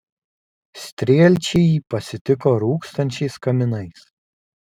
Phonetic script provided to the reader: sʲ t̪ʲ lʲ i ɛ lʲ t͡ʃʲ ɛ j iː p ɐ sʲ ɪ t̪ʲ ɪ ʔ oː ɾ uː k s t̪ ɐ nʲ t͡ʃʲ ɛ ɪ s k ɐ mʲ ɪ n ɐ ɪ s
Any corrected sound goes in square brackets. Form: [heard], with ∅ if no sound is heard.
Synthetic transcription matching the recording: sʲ t̪ʲ [ɾʲ] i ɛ lʲ t͡ʃʲ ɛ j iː p ɐ sʲ ɪ t̪ʲ ɪ [k] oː ɾ uː k s t̪ ɐ nʲ t͡ʃʲ ɛ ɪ s k ɐ mʲ ɪ n ɐ ɪ s